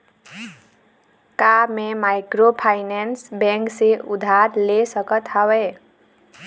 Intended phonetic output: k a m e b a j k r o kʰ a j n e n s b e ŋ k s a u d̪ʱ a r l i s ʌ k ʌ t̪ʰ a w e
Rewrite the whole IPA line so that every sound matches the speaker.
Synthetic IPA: k a m e m a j k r o pʰ a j n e n s b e ŋ k s e u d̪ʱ a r l e s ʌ k ʌ t̪ʰ a w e